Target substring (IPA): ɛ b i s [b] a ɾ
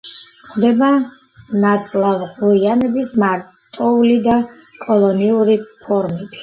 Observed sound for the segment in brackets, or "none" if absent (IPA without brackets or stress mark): m